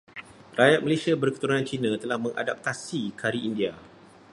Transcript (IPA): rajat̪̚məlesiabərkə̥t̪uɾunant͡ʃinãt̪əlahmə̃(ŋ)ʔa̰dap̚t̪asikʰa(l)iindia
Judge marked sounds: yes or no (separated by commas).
yes, no